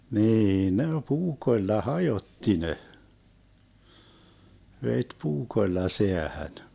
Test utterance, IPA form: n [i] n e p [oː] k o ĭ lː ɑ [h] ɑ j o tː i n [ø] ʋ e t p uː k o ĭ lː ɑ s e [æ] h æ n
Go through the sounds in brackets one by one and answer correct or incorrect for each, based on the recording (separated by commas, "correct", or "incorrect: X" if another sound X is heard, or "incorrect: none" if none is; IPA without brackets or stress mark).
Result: incorrect: iː, incorrect: uː, correct, incorrect: e, correct